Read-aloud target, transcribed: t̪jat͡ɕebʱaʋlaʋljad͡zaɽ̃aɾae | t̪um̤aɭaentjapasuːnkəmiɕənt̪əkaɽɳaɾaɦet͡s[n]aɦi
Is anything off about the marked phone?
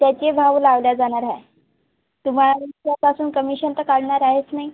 no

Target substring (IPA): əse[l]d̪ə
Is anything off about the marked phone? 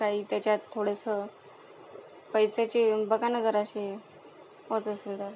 no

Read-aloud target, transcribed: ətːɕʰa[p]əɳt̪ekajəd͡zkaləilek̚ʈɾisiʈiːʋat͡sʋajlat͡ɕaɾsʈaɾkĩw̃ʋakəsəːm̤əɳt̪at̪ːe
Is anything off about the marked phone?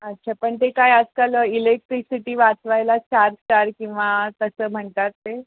no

